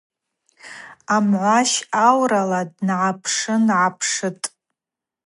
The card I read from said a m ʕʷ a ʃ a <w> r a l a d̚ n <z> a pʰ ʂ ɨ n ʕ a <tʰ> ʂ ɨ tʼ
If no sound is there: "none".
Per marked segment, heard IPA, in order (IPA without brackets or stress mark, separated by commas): w, ʕ, pʰ